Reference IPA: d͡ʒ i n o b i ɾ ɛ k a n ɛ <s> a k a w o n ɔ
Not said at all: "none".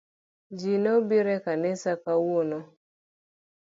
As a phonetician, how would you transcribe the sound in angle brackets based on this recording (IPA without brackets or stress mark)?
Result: s